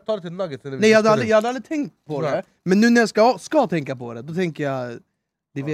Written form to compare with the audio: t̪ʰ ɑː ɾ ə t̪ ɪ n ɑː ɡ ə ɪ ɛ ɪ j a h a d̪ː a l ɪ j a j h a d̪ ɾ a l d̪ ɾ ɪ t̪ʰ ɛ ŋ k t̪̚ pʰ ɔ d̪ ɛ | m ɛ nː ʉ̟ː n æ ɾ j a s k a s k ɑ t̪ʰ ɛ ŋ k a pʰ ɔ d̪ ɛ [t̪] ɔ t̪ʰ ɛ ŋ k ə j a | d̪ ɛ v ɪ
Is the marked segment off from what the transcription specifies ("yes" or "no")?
yes